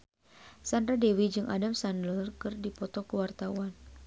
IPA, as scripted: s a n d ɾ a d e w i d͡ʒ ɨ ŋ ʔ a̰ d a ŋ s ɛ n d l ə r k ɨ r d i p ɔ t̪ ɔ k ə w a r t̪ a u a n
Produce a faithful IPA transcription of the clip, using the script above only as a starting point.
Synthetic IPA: s a n d ɾ a d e w i d͡ʒ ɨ ŋ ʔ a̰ d a m s a n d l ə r k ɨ r d i p ɔ t̪ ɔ k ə w a r t̪ a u a n